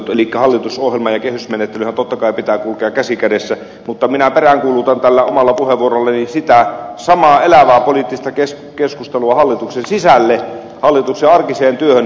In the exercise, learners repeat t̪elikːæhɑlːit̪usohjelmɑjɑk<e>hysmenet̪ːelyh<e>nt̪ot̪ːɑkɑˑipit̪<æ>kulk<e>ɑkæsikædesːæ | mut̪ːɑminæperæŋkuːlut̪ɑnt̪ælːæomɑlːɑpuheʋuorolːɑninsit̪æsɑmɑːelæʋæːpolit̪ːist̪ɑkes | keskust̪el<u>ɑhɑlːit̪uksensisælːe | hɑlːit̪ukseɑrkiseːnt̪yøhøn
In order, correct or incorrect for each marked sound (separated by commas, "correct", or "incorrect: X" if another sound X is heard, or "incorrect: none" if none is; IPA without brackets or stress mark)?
correct, incorrect: æ, incorrect: æː, correct, correct